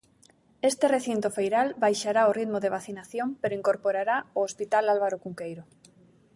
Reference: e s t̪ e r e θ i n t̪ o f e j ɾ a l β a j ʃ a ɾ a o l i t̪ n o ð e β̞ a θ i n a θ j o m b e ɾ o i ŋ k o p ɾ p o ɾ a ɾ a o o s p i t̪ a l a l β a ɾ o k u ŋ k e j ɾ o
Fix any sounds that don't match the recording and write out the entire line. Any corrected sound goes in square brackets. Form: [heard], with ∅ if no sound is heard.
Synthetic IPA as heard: e s t̪ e r e θ i n t̪ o f e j ɾ a l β a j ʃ a ɾ a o [r] i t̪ [m] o ð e β̞ a θ i n a θ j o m [p] e ɾ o i ŋ k o [∅] ɾ p o ɾ a ɾ a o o s p i t̪ a l a l β a ɾ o k u ŋ k e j ɾ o